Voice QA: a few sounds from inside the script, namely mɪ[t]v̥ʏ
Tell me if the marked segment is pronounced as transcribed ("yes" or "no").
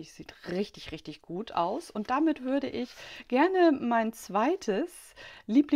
yes